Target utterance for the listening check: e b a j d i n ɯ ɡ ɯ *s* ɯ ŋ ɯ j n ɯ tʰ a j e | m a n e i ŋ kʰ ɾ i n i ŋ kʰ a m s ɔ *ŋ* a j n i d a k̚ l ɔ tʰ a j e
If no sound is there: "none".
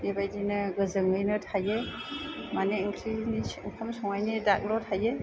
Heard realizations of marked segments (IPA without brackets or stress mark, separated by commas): z, ŋ